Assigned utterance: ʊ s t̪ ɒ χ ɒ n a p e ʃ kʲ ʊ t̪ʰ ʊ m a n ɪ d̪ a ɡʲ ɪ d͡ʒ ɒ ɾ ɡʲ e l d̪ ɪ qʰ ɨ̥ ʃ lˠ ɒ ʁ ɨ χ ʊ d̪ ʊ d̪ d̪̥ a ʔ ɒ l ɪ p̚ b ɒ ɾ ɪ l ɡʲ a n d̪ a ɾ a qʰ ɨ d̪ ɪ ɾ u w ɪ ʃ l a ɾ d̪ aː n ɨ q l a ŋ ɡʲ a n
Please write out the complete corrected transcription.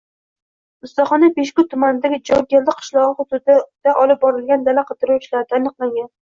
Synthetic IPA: ʊ s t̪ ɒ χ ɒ n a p e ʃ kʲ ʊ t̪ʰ ʊ m a n ɪ d̪ a ɡʲ ɪ d͡ʒ ɒ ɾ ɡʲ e l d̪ ɪ qʰ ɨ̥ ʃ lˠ ɒ ʁ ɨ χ ʊ d̪ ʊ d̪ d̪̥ a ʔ ɒ l ɪ p̚ b ɒ ɾ ɪ l ɡʲ a n d̪ a l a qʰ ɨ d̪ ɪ ɾ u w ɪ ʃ l a ɾ d̪ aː n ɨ q l a ŋ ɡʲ a n